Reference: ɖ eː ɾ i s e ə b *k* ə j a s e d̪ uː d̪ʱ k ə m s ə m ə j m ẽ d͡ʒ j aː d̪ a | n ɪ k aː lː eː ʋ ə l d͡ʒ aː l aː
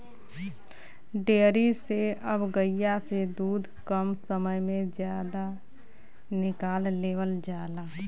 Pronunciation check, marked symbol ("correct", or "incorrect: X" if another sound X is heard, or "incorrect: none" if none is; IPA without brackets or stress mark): incorrect: ɡ